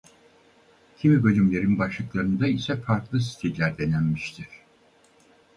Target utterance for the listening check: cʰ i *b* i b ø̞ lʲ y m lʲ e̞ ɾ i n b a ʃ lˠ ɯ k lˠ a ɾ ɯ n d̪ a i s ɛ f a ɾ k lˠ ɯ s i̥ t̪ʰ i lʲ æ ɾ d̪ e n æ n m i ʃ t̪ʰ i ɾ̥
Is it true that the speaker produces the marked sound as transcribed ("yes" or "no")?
no